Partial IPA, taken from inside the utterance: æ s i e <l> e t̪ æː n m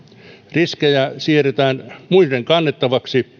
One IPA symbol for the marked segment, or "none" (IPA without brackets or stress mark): r